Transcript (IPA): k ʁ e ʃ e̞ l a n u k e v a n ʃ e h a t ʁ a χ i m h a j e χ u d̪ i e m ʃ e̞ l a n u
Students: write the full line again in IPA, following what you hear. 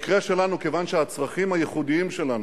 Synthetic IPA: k ʁ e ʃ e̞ l a n u k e v a n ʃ e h a t͡s ʁ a χ i m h a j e χ u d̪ i i m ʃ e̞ l a n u